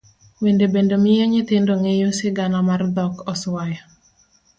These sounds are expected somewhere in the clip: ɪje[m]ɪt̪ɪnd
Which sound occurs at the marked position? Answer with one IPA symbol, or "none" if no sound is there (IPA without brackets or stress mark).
ɲ